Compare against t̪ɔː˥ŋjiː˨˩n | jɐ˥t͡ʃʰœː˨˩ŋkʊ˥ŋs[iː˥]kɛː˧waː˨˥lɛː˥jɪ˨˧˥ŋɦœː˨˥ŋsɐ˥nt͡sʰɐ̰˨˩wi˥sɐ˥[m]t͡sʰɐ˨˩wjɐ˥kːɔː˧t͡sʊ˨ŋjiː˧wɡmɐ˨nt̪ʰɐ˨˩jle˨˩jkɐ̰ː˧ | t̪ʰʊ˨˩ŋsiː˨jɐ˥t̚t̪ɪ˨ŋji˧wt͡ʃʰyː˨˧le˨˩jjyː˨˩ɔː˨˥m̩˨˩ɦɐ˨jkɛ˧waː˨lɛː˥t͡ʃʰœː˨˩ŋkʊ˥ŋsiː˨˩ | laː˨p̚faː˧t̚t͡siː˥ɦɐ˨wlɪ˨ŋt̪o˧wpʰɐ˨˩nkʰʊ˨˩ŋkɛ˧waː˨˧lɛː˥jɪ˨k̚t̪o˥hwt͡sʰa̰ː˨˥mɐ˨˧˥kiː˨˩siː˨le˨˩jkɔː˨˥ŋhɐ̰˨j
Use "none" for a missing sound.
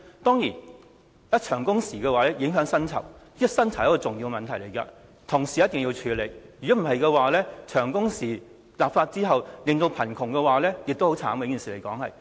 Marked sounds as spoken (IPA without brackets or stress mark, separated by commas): iː˨˩, n